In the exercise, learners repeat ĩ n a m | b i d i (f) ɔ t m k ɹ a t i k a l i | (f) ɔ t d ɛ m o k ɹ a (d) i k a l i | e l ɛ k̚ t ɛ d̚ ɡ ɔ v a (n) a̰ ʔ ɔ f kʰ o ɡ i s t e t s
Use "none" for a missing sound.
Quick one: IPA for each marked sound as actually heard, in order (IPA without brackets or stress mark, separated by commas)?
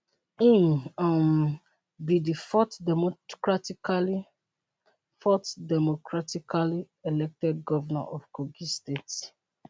f, f, t, n